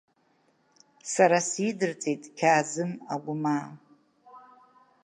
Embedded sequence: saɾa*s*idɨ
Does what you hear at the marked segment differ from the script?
no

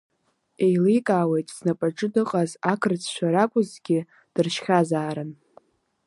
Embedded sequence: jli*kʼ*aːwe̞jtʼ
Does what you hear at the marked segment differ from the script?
no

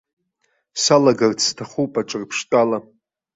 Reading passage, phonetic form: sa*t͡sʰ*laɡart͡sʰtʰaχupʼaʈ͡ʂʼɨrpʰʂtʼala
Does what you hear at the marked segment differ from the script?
yes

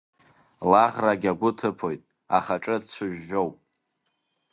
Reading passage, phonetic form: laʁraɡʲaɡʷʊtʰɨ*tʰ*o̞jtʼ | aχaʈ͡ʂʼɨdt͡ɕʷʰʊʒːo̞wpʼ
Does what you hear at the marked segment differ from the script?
yes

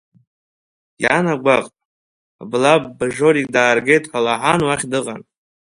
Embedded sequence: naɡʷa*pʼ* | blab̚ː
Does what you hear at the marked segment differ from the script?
yes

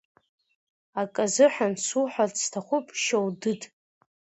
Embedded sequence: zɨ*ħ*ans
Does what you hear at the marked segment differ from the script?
no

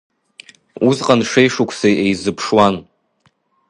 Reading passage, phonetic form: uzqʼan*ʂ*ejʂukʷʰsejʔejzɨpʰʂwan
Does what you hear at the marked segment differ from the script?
no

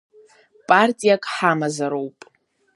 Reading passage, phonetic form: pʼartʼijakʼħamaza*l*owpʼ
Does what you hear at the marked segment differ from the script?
yes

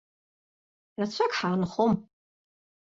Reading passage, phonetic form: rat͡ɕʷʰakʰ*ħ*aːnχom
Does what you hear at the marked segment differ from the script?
no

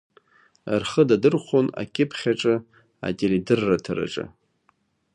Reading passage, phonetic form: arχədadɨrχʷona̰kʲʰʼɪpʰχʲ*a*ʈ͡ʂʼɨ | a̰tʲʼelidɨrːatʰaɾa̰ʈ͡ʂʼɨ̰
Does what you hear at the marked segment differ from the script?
no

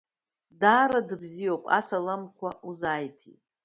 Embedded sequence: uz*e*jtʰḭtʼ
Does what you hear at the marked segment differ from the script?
yes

